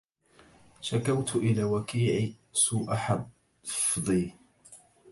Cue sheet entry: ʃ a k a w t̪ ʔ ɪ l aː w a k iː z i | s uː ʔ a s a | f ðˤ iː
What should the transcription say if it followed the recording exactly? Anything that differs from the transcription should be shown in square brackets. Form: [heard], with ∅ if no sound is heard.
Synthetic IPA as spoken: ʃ a k a w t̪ ʔ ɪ l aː w a k iː [ʕ] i | s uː ʔ a [ħ] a | f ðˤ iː